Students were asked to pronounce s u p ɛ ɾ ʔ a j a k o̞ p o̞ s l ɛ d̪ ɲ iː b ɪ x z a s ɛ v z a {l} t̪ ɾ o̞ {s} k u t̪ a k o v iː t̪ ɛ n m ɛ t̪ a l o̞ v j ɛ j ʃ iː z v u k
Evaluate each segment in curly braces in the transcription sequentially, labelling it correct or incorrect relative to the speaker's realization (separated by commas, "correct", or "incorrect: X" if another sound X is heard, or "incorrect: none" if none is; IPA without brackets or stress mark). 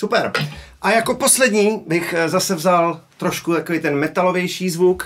correct, incorrect: ʃ